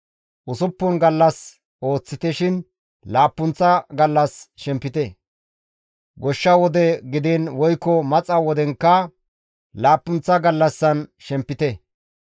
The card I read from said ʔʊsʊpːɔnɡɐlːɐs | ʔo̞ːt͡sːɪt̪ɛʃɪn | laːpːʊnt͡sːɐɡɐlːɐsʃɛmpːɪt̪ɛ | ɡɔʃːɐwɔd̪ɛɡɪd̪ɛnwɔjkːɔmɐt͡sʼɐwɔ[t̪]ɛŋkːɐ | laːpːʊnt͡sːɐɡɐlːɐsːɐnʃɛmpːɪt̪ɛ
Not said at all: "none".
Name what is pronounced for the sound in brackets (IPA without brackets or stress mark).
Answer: d̪